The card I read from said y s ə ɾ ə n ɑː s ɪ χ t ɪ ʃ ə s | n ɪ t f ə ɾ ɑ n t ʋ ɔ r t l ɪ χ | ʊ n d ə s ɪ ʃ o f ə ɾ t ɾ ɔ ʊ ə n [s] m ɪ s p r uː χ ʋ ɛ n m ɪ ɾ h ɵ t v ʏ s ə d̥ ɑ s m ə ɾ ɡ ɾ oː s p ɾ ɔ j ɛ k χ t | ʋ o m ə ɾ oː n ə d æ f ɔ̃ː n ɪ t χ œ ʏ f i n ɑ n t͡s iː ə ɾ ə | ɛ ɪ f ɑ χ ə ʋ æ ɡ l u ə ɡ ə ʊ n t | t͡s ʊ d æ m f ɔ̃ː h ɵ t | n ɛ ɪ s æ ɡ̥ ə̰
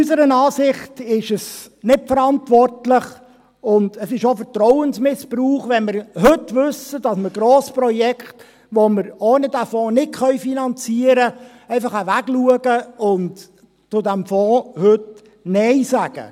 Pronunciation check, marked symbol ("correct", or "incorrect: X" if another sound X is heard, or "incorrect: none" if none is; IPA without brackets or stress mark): correct